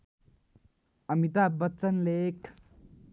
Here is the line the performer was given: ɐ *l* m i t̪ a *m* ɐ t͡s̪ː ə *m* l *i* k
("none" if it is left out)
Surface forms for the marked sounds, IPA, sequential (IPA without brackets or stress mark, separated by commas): none, b, n, e